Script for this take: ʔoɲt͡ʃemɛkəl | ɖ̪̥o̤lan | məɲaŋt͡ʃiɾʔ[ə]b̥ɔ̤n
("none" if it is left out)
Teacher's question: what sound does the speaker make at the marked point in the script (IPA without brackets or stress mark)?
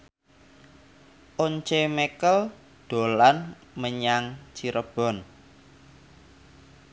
ə